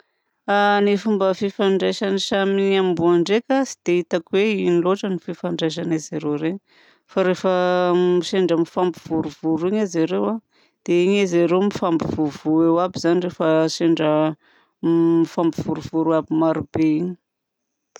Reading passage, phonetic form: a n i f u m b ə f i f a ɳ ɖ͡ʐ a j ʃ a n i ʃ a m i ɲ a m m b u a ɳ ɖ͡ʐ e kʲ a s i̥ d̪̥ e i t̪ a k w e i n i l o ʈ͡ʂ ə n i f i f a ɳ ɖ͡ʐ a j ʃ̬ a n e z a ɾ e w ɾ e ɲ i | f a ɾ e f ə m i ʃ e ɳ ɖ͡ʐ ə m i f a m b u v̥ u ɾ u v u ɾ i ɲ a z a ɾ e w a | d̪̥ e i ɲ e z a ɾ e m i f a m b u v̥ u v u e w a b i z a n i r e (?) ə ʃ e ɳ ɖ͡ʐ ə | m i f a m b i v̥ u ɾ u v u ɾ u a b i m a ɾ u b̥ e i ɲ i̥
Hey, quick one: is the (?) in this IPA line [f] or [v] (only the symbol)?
f